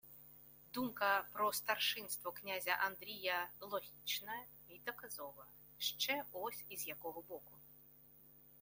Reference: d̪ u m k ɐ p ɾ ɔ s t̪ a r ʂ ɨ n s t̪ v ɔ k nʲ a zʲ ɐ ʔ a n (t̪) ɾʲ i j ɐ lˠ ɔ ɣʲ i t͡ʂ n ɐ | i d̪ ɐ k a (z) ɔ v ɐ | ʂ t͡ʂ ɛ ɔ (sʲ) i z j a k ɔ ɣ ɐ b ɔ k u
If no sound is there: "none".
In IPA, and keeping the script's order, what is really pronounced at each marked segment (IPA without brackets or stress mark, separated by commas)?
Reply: d̪, z, sʲ